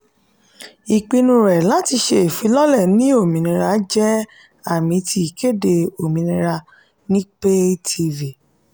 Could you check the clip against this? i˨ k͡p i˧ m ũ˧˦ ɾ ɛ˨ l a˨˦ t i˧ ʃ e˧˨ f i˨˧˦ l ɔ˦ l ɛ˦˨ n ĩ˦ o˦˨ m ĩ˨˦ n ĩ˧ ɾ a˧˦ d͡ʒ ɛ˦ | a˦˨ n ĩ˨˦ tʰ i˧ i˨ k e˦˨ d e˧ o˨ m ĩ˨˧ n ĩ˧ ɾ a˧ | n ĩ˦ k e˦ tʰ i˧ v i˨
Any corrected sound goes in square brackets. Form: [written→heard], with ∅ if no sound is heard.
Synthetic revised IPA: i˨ k͡p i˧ [m→n] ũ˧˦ ɾ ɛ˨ l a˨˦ t i˧ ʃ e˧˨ f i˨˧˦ l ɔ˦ l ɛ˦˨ n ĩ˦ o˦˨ m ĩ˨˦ n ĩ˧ ɾ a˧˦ d͡ʒ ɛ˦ | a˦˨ [n→m] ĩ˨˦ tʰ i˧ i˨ k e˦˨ d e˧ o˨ m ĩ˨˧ n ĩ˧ ɾ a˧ | n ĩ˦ [k→k͡p] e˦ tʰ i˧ v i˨